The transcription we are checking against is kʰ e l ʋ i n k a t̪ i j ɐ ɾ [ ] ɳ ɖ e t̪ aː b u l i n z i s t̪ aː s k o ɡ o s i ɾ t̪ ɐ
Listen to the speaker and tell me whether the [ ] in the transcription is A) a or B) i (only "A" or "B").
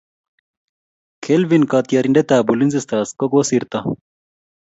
B